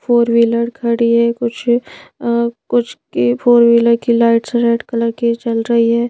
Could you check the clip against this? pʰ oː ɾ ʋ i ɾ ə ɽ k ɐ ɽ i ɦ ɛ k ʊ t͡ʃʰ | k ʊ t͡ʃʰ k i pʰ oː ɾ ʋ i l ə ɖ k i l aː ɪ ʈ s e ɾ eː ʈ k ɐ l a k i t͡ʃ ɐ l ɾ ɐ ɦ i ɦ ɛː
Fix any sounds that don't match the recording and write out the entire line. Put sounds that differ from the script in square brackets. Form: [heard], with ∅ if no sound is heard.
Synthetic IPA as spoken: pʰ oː ɾ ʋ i [l] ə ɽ [kʰ] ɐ ɽ i ɦ ɛ k ʊ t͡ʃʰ | k ʊ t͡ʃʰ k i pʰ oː ɾ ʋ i l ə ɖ k i l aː ɪ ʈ s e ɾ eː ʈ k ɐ l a k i t͡ʃ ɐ l ɾ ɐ ɦ i ɦ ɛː